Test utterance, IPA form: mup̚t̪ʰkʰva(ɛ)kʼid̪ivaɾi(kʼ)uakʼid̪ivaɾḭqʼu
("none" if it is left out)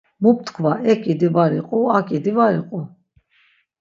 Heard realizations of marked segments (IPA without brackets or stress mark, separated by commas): ɛ, qʼ